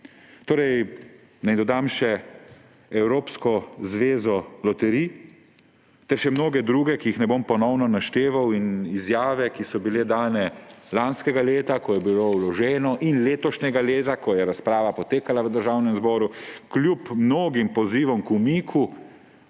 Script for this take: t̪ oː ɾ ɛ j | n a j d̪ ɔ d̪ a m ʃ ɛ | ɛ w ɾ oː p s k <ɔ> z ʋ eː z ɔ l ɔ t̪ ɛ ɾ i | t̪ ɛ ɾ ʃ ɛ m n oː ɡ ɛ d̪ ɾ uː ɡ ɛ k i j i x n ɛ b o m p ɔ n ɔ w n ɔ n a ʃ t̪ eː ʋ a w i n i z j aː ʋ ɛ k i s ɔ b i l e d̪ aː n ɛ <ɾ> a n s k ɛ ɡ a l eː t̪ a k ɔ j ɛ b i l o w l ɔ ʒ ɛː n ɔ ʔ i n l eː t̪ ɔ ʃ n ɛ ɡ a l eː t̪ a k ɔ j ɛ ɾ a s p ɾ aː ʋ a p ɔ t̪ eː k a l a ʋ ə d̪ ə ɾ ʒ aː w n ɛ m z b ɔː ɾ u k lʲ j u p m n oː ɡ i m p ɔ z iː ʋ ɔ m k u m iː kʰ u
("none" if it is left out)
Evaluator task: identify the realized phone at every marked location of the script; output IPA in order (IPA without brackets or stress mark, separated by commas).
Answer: ɔ, l